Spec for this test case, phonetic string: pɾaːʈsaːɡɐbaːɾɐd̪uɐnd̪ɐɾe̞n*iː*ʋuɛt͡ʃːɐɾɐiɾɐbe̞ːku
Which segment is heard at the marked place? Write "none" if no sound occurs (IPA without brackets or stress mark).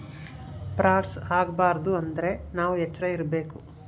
aː